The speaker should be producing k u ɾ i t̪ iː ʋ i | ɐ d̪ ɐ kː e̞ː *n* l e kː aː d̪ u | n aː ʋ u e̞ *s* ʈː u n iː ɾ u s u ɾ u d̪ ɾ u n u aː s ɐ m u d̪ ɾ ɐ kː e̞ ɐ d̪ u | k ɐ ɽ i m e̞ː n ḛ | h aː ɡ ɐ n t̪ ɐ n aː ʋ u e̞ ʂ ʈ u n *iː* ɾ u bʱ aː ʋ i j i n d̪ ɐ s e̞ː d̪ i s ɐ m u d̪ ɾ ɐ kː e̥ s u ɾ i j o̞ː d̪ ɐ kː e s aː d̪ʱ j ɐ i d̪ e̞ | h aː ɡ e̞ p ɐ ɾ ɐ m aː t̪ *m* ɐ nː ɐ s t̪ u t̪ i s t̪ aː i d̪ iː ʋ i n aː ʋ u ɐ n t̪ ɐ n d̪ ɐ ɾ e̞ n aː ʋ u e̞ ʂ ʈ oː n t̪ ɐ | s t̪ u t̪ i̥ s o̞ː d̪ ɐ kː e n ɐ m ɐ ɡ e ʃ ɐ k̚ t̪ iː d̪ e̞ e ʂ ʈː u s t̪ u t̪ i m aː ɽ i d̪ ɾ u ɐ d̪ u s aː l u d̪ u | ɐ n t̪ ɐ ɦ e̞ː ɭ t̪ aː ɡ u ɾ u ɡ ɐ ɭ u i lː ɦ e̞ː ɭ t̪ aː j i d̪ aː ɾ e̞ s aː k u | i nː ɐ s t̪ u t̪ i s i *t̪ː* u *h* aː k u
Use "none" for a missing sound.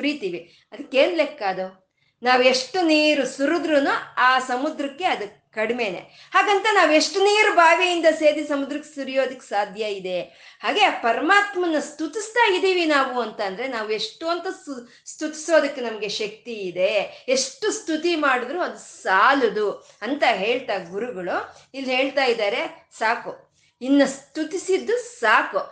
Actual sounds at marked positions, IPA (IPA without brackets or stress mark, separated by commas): n, ʂ, iː, m, d̪ː, s